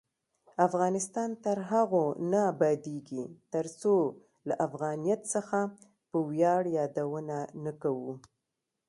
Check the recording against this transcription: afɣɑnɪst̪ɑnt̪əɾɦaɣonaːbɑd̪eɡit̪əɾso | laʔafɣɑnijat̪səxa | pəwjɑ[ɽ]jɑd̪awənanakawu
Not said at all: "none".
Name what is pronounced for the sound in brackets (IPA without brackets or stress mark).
ɽ